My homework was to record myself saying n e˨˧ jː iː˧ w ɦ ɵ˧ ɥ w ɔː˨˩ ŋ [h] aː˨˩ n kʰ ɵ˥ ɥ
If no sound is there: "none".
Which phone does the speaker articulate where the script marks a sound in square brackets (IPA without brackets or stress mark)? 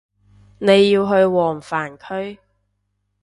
f